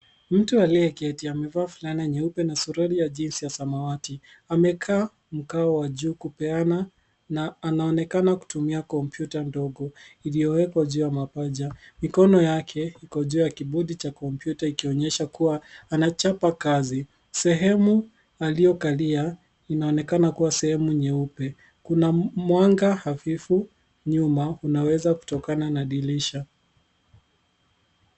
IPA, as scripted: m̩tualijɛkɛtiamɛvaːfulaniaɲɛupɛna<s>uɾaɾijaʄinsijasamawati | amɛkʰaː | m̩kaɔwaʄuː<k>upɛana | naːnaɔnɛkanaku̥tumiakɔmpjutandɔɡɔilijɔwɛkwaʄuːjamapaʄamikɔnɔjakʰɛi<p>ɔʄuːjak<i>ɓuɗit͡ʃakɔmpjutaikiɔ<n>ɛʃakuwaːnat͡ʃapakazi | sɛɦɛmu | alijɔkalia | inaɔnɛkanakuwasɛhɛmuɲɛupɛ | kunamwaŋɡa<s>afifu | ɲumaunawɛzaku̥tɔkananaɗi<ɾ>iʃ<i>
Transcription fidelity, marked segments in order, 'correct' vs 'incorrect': correct, correct, incorrect: k, correct, incorrect: ɲ, incorrect: h, incorrect: l, incorrect: a

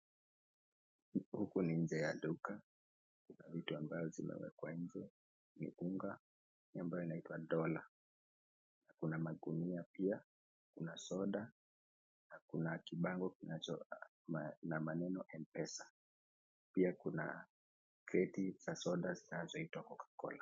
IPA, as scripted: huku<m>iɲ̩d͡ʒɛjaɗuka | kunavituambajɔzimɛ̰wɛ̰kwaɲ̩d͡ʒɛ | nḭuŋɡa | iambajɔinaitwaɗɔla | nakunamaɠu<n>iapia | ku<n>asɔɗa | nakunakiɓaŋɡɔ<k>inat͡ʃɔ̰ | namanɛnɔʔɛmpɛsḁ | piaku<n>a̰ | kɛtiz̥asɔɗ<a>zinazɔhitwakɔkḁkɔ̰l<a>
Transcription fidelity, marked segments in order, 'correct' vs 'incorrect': incorrect: n, correct, correct, correct, correct, correct, correct

